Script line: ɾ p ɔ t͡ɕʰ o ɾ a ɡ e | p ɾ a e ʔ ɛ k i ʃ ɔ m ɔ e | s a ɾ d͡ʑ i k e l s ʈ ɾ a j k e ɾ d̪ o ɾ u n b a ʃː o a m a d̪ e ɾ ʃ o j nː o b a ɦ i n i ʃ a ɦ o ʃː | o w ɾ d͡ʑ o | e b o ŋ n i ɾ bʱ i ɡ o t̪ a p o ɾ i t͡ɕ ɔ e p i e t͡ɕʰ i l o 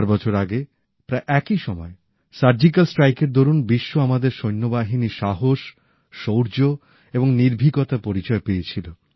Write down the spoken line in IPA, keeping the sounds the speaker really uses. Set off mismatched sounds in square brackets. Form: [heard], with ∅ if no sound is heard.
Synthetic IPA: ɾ [b] ɔ t͡ɕʰ o ɾ a ɡ e | p ɾ a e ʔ ɛ k i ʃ ɔ m ɔ e | s a ɾ d͡ʑ i k [a] l s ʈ ɾ a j k e ɾ d̪ o ɾ u n b [i] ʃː o a m a d̪ e ɾ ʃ o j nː o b a ɦ i n i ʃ a ɦ o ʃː | o w ɾ d͡ʑ o | e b o ŋ n i ɾ bʱ i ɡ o t̪ a p o ɾ i t͡ɕ ɔ e p [e] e t͡ɕʰ i l o